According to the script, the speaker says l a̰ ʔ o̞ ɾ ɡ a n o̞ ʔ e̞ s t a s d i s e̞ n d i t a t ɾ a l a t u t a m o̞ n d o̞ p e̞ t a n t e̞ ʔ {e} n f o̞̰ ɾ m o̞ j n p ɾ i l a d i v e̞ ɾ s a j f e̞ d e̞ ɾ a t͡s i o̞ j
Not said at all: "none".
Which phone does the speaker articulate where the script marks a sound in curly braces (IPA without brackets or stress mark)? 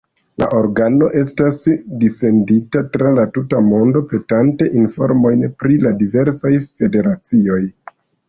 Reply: i